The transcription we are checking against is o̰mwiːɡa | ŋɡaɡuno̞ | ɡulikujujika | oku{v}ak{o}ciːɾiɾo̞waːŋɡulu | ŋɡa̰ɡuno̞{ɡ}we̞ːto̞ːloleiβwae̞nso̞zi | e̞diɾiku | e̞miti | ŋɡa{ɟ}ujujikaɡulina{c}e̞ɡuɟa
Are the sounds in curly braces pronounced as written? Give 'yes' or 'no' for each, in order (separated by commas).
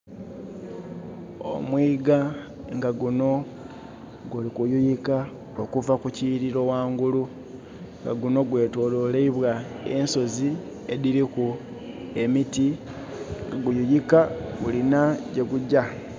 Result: yes, no, yes, no, no